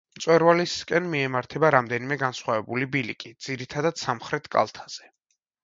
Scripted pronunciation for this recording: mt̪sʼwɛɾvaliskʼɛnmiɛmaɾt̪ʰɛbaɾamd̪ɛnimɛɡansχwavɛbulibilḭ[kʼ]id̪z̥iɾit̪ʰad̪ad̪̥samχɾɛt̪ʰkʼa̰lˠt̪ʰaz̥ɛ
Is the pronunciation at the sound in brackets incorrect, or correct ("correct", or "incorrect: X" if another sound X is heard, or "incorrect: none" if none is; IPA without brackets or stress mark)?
correct